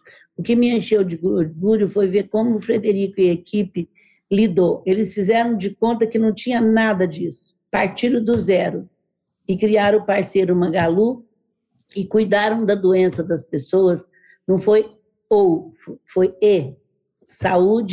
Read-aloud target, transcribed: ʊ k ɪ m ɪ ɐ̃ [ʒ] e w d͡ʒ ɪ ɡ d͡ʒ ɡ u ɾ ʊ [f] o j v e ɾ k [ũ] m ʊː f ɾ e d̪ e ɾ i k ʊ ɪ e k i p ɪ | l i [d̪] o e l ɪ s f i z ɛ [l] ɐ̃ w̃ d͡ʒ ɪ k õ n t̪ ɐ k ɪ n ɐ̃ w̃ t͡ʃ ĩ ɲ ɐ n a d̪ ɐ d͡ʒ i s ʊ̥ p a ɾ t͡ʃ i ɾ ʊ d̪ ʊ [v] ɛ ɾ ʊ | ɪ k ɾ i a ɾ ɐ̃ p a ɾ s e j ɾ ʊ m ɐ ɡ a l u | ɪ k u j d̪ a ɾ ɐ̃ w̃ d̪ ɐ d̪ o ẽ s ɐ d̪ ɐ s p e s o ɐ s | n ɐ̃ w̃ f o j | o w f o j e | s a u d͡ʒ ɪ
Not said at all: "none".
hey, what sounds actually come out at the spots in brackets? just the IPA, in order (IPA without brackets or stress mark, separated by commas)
ʃ, f, õ, d̪, ɾ, z